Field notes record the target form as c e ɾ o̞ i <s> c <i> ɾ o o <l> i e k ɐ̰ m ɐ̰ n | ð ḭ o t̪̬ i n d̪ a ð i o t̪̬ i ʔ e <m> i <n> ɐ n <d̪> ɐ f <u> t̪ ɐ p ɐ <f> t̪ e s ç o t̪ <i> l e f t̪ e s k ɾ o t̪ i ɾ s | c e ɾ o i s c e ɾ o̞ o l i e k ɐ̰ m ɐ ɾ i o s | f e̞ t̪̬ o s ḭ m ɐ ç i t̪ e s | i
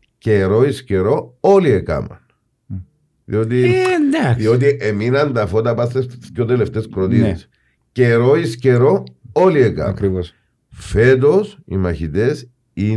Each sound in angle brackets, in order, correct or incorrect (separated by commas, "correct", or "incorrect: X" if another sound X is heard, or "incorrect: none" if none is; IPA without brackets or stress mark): correct, incorrect: e, correct, correct, correct, correct, incorrect: o, incorrect: s, incorrect: e